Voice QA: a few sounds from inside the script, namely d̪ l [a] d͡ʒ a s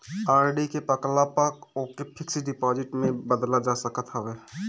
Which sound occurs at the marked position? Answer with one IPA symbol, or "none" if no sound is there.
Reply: a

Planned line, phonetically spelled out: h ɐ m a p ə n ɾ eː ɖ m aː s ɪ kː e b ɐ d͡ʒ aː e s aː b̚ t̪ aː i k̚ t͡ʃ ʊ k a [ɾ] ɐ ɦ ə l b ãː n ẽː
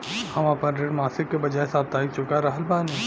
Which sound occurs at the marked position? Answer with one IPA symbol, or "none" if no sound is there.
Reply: ɾ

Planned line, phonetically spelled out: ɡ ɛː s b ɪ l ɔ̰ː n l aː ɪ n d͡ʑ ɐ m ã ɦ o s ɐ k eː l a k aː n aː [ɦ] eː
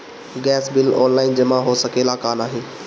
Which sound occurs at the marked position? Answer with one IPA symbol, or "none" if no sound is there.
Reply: ɦ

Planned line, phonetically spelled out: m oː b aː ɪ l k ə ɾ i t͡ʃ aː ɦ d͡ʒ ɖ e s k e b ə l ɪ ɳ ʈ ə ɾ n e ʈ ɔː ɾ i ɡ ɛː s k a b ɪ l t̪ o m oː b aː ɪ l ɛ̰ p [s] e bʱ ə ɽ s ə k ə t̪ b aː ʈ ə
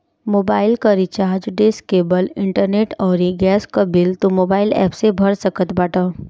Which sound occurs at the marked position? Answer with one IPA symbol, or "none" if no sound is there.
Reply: s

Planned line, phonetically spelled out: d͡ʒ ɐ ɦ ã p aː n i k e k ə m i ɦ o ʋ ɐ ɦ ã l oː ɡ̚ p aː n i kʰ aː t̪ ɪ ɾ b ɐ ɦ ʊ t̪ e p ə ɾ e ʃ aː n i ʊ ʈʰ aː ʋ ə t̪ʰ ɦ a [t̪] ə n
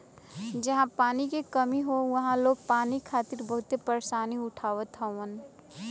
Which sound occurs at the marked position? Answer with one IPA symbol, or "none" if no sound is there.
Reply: none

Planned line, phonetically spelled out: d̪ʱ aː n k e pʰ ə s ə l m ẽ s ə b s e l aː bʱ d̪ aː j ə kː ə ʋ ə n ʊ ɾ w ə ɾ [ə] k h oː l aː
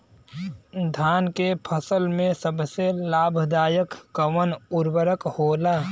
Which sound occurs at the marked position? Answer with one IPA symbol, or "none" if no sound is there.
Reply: ə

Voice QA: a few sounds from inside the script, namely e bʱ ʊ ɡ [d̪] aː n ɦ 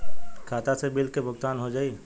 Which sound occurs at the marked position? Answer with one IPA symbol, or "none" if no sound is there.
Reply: t̪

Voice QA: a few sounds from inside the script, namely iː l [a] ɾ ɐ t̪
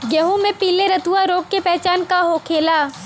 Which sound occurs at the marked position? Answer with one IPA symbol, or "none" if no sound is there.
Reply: e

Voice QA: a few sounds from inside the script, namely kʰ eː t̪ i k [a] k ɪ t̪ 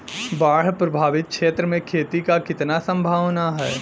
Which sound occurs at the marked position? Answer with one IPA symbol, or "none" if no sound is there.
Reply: a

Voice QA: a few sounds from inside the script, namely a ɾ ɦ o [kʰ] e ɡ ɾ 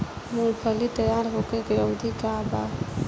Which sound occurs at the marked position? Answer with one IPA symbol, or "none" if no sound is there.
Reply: k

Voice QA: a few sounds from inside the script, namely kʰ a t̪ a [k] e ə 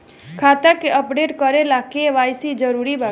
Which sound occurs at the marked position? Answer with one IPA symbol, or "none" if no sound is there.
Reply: k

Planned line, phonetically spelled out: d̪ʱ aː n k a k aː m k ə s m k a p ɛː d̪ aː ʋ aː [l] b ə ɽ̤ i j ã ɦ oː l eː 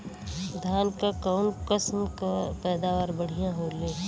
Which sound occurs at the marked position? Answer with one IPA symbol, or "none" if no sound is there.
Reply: ɾ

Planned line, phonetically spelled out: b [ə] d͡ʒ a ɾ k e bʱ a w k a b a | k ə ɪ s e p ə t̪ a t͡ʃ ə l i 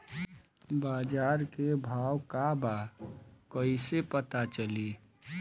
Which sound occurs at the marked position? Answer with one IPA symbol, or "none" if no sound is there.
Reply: a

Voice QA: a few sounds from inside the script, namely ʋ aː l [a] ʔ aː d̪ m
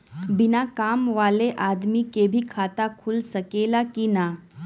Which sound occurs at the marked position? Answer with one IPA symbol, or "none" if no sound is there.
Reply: e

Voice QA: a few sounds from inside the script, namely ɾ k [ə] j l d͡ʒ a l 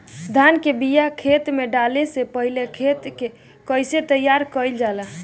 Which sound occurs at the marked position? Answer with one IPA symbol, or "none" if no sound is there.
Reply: ə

